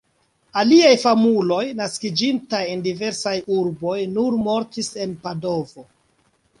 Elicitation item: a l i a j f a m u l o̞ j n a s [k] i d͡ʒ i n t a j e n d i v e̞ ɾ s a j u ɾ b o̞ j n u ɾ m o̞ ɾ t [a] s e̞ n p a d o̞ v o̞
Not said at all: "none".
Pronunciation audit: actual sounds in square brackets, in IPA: k, i

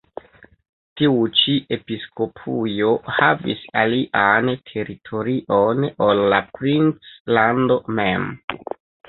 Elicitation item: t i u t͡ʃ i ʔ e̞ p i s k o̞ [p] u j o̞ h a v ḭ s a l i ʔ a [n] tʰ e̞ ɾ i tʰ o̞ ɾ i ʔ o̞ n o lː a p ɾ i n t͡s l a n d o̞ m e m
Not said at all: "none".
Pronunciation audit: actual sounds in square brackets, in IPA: pʰ, n

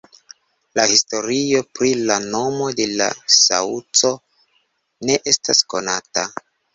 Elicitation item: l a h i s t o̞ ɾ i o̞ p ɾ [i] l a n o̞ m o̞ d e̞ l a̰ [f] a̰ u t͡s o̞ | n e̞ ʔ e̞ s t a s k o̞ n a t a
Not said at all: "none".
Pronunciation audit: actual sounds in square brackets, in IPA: i, s

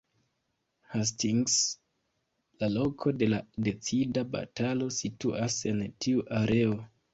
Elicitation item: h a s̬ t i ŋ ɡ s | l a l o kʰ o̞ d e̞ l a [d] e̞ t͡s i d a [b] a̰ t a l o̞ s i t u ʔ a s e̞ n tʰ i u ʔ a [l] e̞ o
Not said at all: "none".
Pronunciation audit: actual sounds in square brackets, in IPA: d, b, ɾ

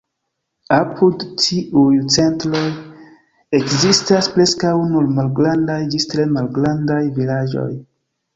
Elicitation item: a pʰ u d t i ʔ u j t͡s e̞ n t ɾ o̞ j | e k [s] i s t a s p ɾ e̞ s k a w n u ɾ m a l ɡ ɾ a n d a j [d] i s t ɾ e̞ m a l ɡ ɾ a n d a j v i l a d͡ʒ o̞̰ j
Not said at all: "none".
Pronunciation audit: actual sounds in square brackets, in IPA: z, d͡ʒ

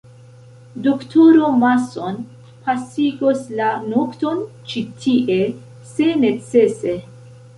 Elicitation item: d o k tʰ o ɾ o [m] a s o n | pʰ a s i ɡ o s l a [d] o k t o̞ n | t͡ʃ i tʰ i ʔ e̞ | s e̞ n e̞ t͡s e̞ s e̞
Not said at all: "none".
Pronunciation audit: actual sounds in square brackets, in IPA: m, n

